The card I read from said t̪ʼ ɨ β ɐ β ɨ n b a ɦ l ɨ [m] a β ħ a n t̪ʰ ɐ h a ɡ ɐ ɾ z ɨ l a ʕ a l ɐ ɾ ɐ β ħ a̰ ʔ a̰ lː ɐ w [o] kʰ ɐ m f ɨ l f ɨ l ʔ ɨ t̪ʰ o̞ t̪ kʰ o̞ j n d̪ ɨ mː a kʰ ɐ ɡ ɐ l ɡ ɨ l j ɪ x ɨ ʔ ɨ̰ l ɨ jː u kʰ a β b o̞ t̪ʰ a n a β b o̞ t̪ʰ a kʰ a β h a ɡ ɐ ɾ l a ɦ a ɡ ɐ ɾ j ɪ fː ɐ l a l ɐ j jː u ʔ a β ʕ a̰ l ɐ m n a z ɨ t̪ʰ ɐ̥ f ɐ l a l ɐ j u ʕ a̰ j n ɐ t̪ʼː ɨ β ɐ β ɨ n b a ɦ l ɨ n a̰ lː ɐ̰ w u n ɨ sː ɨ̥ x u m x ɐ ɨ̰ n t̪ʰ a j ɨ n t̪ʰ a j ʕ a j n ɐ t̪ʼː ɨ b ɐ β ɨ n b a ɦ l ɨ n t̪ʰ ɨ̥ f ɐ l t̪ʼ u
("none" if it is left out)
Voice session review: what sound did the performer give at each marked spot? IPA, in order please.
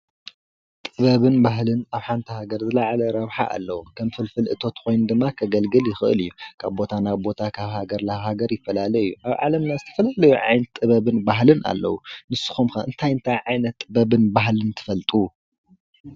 n, u

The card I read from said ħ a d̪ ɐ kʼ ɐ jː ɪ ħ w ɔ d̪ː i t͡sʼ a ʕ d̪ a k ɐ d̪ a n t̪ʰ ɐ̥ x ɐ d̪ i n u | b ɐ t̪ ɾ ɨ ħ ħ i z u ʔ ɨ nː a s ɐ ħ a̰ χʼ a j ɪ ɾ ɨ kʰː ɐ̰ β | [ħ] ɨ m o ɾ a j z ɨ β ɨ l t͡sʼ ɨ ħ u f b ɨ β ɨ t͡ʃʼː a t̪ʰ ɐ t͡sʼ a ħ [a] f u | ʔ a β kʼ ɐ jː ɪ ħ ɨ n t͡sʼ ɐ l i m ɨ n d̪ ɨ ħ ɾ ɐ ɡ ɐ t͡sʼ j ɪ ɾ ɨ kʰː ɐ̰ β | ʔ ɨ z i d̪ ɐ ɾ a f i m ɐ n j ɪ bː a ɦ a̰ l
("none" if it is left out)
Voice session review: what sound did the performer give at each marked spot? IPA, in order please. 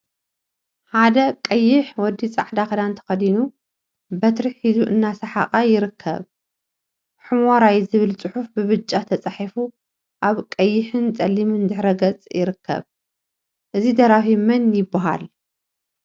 ħ, i

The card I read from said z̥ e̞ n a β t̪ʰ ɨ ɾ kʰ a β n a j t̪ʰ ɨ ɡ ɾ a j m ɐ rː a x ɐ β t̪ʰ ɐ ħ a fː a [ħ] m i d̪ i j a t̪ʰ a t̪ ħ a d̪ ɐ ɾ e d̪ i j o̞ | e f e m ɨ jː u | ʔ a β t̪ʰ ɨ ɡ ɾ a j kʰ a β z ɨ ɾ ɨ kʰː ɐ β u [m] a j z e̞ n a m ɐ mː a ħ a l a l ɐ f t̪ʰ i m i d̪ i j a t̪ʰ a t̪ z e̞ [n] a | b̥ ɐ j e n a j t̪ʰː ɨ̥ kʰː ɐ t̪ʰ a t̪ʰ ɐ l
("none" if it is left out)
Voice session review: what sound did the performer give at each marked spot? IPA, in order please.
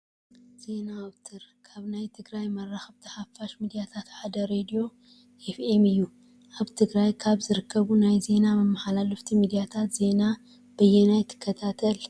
ʃ, n, n

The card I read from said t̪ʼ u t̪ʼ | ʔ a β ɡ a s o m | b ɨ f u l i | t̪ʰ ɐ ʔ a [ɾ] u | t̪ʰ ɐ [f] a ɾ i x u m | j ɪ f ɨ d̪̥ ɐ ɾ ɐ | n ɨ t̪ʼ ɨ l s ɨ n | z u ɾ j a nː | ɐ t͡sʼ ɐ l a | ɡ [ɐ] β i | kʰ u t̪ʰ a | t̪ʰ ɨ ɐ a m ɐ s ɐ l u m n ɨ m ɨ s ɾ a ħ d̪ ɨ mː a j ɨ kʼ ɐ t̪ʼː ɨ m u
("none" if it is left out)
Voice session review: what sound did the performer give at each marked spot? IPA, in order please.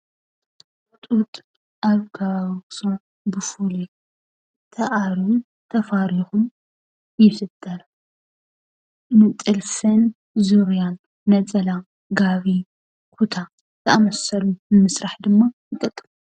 ɾ, f, a

